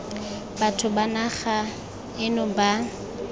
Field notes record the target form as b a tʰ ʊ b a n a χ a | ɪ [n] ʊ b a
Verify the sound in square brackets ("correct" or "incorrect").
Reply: correct